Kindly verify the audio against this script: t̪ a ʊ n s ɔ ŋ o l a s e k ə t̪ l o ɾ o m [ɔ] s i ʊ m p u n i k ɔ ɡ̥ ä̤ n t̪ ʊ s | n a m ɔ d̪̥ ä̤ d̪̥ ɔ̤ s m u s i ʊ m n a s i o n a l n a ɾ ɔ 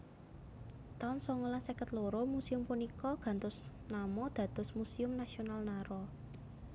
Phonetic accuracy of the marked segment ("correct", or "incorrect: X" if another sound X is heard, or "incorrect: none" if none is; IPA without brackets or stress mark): incorrect: u